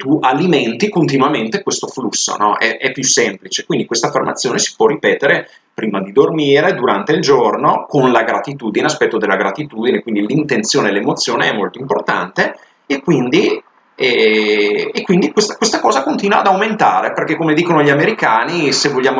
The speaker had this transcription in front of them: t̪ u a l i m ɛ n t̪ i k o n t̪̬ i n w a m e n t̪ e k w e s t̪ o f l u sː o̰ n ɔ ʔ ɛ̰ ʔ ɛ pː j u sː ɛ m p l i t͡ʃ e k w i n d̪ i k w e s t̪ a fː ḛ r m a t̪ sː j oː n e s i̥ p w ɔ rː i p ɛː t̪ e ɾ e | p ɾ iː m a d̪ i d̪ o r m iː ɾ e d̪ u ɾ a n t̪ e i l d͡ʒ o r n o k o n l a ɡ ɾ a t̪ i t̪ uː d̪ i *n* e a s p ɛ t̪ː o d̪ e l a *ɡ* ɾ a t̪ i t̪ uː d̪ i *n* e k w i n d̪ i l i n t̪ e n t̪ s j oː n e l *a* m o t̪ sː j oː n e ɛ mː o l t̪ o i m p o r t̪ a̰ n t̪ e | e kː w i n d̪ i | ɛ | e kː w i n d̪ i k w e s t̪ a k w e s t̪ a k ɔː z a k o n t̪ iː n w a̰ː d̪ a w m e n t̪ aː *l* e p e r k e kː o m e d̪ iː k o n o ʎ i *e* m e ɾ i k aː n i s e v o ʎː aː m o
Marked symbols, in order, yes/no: yes, yes, yes, no, no, no

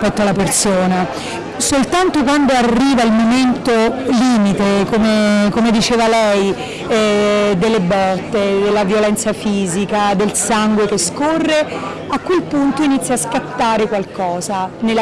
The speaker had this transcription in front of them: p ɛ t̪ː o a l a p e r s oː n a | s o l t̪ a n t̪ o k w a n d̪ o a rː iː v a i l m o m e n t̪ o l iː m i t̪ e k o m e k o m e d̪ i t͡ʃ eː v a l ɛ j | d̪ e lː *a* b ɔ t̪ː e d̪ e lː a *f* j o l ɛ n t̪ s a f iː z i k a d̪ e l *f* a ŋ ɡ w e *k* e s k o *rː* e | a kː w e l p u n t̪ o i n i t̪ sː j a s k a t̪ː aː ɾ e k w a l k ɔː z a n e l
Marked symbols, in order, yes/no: no, no, no, yes, yes

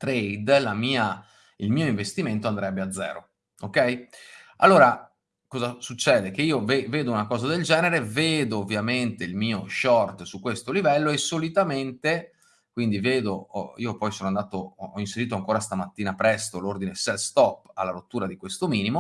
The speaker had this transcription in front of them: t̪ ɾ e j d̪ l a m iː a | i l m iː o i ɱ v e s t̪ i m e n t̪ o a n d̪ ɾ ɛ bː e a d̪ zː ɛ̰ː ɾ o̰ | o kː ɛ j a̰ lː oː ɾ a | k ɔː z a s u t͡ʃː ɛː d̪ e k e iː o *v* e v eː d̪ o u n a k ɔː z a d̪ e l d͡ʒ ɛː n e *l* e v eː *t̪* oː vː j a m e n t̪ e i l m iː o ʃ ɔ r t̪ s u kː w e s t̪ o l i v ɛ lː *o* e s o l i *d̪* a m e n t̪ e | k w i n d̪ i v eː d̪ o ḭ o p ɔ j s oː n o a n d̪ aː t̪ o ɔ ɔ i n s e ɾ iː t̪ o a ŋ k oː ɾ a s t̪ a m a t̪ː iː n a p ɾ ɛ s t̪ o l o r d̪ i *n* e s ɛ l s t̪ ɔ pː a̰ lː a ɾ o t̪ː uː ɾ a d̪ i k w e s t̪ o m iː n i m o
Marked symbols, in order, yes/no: yes, no, no, yes, no, yes

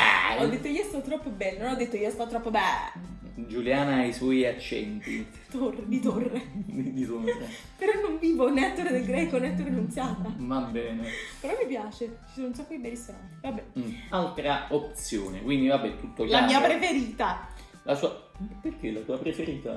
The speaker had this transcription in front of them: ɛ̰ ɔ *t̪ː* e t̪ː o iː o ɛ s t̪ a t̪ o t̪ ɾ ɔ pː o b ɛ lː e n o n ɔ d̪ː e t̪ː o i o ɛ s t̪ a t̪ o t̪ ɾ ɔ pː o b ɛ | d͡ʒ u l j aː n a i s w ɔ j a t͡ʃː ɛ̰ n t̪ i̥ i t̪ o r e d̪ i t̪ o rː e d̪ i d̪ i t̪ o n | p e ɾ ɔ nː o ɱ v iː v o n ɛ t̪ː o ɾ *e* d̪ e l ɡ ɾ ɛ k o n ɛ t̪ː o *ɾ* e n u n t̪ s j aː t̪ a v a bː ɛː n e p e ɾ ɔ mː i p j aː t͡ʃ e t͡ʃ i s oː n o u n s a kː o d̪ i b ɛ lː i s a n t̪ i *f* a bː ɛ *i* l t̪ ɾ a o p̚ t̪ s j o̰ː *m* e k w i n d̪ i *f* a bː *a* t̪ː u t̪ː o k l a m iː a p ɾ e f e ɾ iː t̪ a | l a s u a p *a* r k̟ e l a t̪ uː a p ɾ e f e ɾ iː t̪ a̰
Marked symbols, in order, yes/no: no, yes, yes, no, no, no, no, no, no

